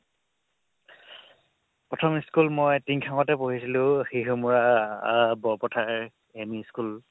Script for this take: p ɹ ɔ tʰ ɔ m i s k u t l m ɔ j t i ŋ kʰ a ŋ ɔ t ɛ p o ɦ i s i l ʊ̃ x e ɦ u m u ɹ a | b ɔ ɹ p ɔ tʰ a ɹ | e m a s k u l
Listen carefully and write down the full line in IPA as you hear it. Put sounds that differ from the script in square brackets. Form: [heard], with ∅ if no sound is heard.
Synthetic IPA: p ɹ ɔ tʰ ɔ m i s k u [∅] l m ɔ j t i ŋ kʰ a ŋ ɔ t ɛ p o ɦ i s i l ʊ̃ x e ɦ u m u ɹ a | b ɔ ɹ p ɔ tʰ a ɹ | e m [i] s k u l